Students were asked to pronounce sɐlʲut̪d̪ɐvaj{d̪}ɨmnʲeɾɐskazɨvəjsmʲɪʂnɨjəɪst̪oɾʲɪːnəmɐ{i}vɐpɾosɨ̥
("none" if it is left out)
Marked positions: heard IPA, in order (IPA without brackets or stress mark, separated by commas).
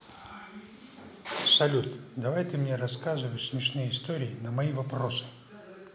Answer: t̪, i